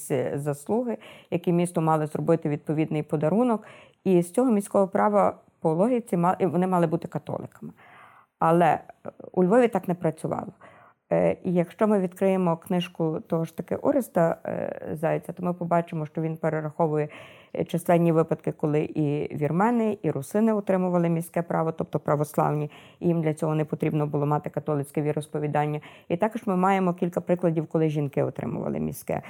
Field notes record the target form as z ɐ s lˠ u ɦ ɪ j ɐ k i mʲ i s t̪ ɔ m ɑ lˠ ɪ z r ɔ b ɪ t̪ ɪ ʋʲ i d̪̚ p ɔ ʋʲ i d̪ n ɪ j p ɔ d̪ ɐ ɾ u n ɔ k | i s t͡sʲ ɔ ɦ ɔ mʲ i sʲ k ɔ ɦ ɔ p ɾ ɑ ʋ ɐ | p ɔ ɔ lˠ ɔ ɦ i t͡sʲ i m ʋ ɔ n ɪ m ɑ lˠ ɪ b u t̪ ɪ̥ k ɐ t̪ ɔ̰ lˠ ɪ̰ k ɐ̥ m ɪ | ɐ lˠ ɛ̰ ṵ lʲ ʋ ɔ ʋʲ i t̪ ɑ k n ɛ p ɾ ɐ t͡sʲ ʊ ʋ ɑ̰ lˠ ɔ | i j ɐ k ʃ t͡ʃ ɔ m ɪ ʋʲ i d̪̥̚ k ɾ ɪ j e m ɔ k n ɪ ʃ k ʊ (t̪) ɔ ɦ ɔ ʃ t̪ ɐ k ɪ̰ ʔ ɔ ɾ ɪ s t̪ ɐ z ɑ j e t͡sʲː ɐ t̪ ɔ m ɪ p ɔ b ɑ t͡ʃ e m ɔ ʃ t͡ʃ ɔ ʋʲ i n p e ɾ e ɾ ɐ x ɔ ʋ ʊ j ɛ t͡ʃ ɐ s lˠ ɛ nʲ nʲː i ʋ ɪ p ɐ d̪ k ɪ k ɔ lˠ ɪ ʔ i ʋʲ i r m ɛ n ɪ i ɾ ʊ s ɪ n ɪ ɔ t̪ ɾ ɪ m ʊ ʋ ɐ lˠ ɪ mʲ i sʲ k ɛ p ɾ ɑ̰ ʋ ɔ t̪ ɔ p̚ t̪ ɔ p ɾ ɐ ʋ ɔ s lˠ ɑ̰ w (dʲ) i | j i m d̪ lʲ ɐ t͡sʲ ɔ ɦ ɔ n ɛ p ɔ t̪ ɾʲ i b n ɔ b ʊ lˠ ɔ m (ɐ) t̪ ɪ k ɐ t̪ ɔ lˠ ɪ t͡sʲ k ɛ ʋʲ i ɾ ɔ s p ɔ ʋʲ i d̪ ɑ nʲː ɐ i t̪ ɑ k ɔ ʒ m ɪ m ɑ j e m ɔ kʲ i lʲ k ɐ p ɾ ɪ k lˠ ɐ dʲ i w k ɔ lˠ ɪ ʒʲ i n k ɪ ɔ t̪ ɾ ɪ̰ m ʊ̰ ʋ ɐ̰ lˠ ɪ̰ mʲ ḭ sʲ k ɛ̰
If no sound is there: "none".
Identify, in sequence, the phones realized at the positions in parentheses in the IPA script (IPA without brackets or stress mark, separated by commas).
t̪, nʲ, ɑ